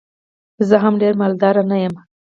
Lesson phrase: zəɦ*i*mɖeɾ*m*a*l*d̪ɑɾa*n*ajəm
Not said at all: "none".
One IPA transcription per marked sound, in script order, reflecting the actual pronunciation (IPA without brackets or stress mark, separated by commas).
a, m, l, n